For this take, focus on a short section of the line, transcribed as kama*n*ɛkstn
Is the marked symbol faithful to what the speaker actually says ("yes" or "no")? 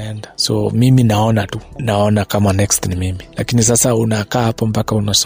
yes